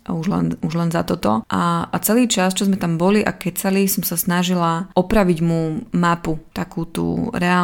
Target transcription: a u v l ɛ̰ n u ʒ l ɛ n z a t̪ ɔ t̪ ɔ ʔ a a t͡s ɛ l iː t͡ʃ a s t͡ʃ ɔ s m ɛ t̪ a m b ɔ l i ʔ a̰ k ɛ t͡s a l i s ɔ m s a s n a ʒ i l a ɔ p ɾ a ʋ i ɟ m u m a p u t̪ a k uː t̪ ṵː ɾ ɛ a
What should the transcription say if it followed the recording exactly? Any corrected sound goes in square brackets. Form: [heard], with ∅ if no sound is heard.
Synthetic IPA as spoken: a u [ʒ] l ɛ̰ n u ʒ l ɛ n z a t̪ ɔ t̪ ɔ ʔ a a t͡s ɛ l iː t͡ʃ a s t͡ʃ ɔ [z] m ɛ t̪ a m b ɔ l i ʔ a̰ k ɛ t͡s a l i s ɔ m s a s n a ʒ i l a ɔ p ɾ a ʋ i ɟ m u m a p u t̪ a k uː t̪ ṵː ɾ ɛ a